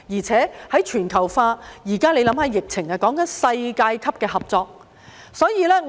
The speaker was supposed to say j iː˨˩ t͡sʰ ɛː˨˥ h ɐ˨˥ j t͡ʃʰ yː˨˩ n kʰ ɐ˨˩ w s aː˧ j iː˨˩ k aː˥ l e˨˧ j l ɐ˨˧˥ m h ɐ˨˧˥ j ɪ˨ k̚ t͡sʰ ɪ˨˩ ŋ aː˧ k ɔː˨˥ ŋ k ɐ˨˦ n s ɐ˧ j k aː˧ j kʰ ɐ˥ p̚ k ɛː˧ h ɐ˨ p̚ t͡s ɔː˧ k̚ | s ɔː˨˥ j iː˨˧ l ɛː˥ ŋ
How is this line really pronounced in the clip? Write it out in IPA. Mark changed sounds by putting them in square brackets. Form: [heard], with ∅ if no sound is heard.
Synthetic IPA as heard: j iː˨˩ t͡sʰ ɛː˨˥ h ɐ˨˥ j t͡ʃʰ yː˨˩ n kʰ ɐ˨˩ w [f] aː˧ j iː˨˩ k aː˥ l e˨˧ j l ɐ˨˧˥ m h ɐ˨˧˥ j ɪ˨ k̚ t͡sʰ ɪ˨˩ ŋ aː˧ k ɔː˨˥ ŋ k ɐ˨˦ n s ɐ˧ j k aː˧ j kʰ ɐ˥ p̚ k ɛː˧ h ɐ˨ p̚ t͡s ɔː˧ k̚ | s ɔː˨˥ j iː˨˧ l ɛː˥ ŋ

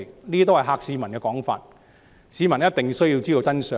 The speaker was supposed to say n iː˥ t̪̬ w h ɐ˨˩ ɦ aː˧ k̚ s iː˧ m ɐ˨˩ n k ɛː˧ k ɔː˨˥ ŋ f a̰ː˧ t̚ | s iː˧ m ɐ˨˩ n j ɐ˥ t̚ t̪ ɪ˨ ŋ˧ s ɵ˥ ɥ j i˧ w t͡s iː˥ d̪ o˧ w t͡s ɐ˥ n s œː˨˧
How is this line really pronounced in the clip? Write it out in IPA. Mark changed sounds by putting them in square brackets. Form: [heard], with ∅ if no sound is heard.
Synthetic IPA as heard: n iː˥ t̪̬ w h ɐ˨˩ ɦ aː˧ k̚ s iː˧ m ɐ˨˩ n k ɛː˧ k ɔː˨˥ ŋ f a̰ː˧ t̚ | s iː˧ m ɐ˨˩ n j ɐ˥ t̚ t̪ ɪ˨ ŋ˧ s ɵ˥ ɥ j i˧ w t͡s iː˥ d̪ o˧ w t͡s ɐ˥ n s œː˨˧

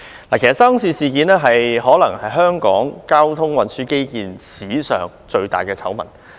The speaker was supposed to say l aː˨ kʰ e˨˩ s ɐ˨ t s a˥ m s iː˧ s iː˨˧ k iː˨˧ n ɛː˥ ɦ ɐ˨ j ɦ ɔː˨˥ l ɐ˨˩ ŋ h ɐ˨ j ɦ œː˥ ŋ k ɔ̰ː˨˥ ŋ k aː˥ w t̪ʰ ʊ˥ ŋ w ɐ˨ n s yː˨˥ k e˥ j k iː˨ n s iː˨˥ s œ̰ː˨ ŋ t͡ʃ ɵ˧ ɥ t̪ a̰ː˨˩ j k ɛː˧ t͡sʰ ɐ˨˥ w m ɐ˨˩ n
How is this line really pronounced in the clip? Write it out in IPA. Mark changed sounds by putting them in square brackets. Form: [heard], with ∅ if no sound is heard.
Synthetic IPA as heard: l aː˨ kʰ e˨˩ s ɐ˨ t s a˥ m s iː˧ s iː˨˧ k iː˨˧ n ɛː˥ ɦ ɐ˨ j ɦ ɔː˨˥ l ɐ˨˩ ŋ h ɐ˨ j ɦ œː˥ ŋ k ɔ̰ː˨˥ ŋ k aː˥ w t̪ʰ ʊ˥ ŋ w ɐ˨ n s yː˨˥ k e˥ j k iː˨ n s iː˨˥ s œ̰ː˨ ŋ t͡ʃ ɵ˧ ɥ t̪ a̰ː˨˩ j k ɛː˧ t͡sʰ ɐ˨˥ w m ɐ˨˩ n

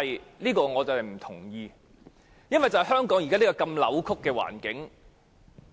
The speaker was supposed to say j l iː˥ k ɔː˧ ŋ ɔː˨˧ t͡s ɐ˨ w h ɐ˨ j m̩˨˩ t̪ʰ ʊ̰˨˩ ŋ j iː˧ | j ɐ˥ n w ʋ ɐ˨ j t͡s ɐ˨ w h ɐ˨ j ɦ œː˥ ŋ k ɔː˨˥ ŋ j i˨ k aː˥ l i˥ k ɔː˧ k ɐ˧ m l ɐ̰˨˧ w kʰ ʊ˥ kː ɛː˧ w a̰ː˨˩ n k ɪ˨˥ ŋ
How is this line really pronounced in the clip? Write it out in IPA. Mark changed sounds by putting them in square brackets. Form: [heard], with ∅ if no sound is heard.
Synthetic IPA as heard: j l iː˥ k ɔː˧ ŋ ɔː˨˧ t͡s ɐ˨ w h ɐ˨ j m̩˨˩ t̪ʰ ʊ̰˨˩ ŋ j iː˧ | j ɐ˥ n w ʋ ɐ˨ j t͡s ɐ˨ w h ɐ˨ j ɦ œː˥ ŋ k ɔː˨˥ ŋ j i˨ k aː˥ l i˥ k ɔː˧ k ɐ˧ m l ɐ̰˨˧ w kʰ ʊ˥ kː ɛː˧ w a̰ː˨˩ n k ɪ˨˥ ŋ

